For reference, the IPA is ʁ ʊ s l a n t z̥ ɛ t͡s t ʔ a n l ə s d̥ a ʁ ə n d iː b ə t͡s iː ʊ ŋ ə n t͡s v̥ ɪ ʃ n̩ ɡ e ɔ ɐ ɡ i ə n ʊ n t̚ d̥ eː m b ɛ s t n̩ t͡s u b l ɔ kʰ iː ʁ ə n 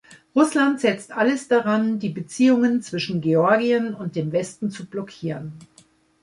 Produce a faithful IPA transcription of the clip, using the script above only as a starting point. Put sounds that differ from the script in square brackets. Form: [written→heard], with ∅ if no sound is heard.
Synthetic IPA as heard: ʁ ʊ s l a n t z̥ ɛ t͡s t ʔ a [n→∅] l ə s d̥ a ʁ [ə→a] n d iː b ə t͡s iː ʊ ŋ ə n t͡s v̥ ɪ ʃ n̩ ɡ e ɔ ɐ ɡ i ə n ʊ n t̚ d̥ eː m [b→v] ɛ s t n̩ t͡s u b l ɔ kʰ iː ʁ ə n